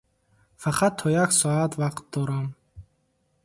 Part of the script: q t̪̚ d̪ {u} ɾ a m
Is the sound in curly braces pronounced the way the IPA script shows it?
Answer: no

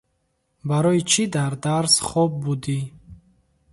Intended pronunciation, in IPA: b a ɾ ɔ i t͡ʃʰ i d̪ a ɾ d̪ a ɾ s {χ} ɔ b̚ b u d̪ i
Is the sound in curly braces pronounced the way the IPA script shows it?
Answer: yes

